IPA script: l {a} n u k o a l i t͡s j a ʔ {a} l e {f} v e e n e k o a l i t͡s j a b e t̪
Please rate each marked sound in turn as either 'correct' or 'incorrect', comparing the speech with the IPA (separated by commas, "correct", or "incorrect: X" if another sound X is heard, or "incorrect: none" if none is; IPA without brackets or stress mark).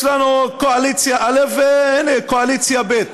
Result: correct, correct, correct